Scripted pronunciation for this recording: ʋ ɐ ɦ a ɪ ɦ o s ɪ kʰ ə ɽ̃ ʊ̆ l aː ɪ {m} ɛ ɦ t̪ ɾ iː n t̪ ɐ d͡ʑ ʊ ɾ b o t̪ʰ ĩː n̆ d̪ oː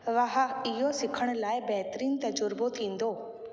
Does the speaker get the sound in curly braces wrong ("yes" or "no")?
yes